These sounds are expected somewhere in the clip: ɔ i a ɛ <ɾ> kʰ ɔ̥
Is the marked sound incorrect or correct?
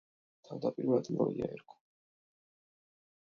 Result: correct